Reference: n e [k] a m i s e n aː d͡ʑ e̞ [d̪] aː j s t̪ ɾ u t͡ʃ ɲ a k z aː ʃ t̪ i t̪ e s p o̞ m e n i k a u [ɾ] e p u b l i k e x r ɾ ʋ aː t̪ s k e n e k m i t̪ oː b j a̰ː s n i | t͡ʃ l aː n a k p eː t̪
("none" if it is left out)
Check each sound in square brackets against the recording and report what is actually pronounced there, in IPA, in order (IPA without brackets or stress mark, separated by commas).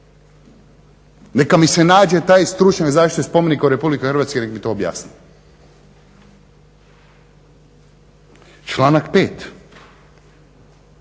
k, t̪, ɾ